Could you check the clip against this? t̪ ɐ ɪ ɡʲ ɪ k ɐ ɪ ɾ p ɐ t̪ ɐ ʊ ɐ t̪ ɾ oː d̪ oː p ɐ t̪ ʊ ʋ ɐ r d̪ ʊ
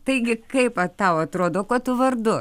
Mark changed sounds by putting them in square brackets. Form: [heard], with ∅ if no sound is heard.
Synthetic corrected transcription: t̪ ɐ ɪ ɡʲ ɪ k ɐ ɪ [∅] p ɐ t̪ ɐ ʊ ɐ t̪ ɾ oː d̪ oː [k] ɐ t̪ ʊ ʋ ɐ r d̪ ʊ

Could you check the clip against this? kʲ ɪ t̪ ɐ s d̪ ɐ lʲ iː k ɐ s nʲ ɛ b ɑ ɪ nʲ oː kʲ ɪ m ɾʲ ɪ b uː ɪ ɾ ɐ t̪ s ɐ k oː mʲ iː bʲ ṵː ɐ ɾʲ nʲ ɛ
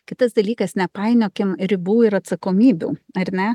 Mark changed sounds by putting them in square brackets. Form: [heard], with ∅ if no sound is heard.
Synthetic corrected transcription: kʲ ɪ t̪ ɐ s d̪ ɐ lʲ iː k ɐ s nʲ ɛ [p] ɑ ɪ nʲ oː kʲ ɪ m ɾʲ ɪ b uː ɪ ɾ ɐ t̪ s ɐ k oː mʲ iː bʲ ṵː ɐ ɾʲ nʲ ɛ

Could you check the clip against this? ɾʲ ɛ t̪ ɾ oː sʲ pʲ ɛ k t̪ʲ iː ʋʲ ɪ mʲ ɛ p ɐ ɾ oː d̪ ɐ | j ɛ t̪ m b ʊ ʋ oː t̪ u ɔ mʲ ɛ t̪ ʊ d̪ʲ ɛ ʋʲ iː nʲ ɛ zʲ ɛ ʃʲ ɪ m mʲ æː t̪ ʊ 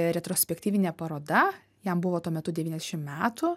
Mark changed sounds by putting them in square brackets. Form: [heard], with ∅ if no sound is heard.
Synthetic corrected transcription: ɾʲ ɛ t̪ ɾ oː sʲ pʲ ɛ k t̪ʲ iː ʋʲ ɪ [nʲ] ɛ p ɐ ɾ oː d̪ ɐ | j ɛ [∅] m b ʊ ʋ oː t̪ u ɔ mʲ ɛ t̪ ʊ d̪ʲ ɛ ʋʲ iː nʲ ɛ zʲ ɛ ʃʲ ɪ m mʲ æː t̪ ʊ

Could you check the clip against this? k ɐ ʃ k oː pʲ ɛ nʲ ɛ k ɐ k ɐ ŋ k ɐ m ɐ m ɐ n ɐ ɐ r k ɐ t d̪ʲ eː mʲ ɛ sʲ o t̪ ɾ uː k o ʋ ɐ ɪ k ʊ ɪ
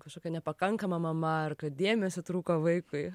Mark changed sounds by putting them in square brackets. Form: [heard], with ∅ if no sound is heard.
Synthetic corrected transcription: k ɐ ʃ k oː [kʲ] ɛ nʲ ɛ [p] ɐ k ɐ ŋ k ɐ m ɐ m ɐ [m] ɐ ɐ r k ɐ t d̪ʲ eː mʲ ɛ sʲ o t̪ ɾ uː k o ʋ ɐ ɪ k ʊ ɪ

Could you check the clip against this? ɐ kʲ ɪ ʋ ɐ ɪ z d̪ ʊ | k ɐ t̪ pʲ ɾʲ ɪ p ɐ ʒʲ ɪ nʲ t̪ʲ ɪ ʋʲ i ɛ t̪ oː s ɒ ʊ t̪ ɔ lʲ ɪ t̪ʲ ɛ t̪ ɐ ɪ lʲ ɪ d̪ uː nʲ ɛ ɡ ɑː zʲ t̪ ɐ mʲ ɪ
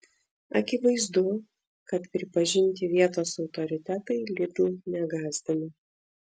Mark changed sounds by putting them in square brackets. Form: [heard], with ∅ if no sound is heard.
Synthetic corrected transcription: ɐ kʲ ɪ ʋ ɐ ɪ z d̪ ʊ | k ɐ t̪ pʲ ɾʲ ɪ p ɐ ʒʲ ɪ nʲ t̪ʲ ɪ ʋʲ i ɛ t̪ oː s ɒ ʊ t̪ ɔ [ɾʲ] ɪ t̪ʲ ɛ t̪ ɐ ɪ lʲ ɪ d̪ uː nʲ ɛ ɡ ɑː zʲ [d̪] ɐ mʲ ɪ

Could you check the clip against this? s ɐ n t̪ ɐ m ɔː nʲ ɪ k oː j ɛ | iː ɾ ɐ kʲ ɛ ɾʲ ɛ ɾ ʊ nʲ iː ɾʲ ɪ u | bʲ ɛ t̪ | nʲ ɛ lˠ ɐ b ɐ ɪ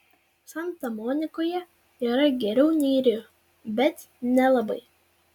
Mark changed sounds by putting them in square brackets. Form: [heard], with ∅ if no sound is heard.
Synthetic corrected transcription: s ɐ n t̪ ɐ m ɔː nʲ ɪ k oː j ɛ | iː ɾ ɐ [ɡʲ] ɛ ɾʲ ɛ [∅] ʊ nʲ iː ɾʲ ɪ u | bʲ ɛ t̪ | nʲ ɛ lˠ ɐ b ɐ ɪ

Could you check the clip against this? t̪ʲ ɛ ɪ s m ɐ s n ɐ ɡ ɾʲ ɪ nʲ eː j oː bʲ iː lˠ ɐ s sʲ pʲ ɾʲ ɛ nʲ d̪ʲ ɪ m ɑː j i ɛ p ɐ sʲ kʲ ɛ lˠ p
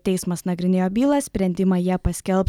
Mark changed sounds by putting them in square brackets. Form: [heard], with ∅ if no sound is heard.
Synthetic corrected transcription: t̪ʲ ɛ ɪ s m ɐ s n ɐ ɡ ɾʲ ɪ nʲ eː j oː bʲ iː lˠ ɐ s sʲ pʲ ɾʲ ɛ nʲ d̪ʲ ɪ m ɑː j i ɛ p ɐ sʲ kʲ ɛ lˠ p

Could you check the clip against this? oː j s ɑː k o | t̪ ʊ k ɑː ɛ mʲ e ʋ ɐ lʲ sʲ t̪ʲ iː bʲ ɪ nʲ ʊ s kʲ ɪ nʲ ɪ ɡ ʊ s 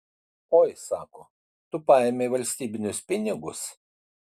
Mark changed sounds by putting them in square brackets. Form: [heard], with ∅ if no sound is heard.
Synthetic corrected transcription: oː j s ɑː k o | t̪ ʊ [p] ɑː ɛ mʲ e ʋ ɐ lʲ sʲ t̪ʲ iː bʲ ɪ nʲ ʊ s [pʲ] ɪ nʲ ɪ ɡ ʊ s

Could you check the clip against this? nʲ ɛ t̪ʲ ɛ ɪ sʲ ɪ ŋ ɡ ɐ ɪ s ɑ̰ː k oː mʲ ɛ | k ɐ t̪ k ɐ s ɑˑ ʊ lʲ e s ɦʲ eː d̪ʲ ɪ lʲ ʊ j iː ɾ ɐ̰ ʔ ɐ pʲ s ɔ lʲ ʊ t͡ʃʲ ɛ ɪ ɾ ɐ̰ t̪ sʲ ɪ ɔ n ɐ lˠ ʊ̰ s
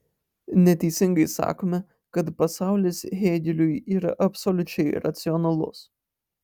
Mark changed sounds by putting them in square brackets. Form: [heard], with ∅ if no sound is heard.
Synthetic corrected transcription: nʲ ɛ t̪ʲ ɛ ɪ sʲ ɪ ŋ ɡ ɐ ɪ s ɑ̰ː k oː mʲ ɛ | k ɐ t̪ [p] ɐ s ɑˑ ʊ lʲ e s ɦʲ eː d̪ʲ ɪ lʲ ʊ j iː ɾ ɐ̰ ʔ ɐ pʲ s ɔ lʲ ʊ t͡ʃʲ ɛ ɪ ɾ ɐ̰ t̪ sʲ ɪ ɔ n ɐ lˠ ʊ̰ s

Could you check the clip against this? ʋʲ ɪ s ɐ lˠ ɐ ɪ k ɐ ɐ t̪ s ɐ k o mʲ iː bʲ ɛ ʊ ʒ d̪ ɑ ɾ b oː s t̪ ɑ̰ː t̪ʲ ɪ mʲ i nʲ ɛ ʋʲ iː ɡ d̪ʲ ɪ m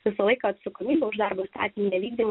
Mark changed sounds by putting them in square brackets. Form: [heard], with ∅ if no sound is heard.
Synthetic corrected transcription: ʋʲ ɪ s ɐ lˠ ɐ ɪ k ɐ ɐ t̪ s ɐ k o mʲ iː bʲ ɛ ʊ ʒ d̪ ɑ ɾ b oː s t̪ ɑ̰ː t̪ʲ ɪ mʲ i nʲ ɛ ʋʲ iː ɡ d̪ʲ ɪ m

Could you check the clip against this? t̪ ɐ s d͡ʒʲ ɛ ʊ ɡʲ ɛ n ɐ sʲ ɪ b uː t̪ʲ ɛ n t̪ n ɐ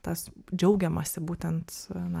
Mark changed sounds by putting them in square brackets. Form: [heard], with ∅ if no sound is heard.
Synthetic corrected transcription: t̪ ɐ s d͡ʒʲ ɛ ʊ ɡʲ ɛ [m] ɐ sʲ ɪ b uː t̪ʲ ɛ n t̪ n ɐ

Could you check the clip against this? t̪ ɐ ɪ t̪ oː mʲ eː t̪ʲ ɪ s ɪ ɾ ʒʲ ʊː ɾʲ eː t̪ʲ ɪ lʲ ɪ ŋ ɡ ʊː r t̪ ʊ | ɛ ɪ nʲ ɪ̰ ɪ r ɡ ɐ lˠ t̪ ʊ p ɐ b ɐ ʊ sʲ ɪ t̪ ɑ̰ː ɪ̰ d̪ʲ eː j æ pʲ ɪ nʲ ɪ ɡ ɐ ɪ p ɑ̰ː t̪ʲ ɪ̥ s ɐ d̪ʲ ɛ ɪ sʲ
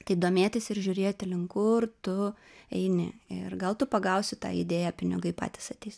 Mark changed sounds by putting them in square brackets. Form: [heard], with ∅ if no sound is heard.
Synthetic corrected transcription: t̪ ɐ ɪ [d̪] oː mʲ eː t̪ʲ ɪ s ɪ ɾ ʒʲ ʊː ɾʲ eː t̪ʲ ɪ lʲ ɪ ŋ [k] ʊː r t̪ ʊ | ɛ ɪ nʲ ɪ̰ ɪ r ɡ ɐ lˠ t̪ ʊ p ɐ [ɡ] ɐ ʊ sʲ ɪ t̪ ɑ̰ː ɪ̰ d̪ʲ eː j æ pʲ ɪ nʲ ɪ ɡ ɐ ɪ p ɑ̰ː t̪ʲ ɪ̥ s ɐ [t̪ʲ] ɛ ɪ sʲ

